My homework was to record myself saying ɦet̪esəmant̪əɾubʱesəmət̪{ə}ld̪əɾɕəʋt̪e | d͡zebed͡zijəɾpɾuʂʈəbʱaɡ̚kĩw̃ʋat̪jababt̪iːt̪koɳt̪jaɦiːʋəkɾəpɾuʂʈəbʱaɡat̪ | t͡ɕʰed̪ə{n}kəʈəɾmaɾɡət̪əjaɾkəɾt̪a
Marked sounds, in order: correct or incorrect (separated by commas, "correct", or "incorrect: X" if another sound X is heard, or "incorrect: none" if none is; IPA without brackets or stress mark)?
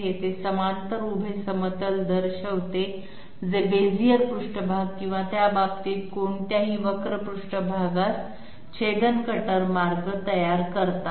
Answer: correct, correct